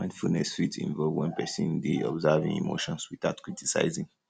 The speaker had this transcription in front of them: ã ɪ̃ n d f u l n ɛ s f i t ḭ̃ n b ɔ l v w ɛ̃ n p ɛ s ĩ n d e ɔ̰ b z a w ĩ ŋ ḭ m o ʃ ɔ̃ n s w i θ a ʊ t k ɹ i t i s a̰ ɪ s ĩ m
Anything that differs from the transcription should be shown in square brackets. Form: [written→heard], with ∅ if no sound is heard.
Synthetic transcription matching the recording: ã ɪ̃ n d f u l n ɛ s f i t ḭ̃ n [b→v] ɔ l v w ɛ̃ n p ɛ s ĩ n d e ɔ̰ b z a [w→v] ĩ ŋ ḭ m o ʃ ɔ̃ n s w i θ a ʊ t k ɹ i t i s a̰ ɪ [s→z] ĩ [m→ŋ]